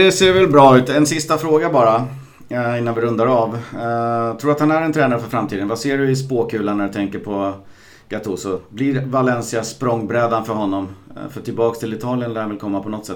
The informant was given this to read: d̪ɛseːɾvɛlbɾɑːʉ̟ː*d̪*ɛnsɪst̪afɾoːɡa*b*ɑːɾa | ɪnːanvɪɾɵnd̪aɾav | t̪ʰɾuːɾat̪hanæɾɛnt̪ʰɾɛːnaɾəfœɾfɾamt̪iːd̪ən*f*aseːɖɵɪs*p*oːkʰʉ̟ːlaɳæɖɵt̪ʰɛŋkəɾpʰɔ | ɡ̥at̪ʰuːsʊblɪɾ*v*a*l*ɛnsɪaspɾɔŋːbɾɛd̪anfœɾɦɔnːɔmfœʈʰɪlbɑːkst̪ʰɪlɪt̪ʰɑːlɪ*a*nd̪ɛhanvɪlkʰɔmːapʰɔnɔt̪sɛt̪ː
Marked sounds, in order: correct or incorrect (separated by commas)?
incorrect, correct, incorrect, correct, correct, correct, incorrect